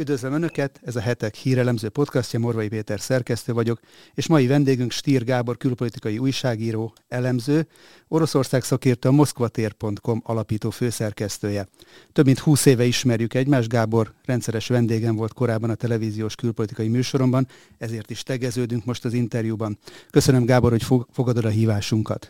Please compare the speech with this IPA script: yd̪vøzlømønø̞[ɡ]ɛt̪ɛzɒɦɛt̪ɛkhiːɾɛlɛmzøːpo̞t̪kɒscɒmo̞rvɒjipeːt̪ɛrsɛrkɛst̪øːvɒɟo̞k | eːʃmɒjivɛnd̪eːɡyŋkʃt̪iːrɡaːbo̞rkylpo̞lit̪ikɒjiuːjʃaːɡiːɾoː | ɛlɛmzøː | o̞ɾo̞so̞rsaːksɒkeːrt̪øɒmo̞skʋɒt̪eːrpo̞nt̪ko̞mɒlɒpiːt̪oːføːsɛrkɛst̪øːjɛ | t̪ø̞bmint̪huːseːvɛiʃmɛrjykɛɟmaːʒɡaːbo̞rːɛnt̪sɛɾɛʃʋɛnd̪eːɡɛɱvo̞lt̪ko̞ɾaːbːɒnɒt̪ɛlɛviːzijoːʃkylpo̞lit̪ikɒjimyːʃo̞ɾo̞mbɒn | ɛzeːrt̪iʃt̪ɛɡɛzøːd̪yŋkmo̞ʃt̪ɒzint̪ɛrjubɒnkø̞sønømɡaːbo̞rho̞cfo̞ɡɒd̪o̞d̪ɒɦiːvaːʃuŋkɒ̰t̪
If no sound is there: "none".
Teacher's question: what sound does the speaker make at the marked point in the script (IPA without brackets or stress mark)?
k